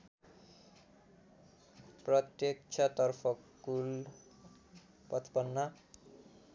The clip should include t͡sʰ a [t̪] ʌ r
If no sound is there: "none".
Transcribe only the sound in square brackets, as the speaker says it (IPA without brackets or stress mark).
t̪